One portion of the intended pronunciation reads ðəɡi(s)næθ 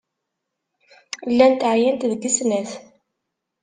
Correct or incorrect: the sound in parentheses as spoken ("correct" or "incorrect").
correct